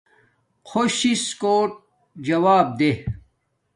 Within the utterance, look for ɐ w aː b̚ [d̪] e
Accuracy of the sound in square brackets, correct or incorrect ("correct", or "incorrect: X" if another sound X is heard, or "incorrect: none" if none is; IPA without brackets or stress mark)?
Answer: correct